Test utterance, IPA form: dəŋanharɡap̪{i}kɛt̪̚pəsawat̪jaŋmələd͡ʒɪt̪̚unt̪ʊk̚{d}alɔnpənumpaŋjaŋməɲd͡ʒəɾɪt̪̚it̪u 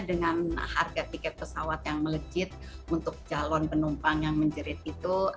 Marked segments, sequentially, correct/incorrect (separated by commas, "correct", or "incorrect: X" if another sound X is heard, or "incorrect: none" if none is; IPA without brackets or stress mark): correct, incorrect: d͡ʒ